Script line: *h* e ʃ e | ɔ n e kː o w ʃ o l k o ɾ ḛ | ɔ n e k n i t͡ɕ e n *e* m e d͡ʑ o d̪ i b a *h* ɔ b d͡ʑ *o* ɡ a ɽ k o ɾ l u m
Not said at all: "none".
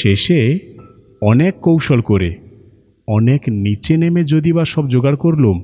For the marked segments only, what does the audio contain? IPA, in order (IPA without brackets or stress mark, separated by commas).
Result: ʃ, e, ʃ, o